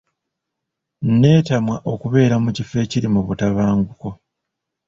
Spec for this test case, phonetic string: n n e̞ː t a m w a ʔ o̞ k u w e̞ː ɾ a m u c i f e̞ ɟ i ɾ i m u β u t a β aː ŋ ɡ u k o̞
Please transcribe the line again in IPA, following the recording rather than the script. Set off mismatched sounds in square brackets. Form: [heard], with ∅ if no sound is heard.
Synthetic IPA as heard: n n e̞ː t a m w a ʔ o̞ k u [β] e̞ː ɾ a m u c i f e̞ [c] i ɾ i m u β u t a β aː ŋ ɡ u k o̞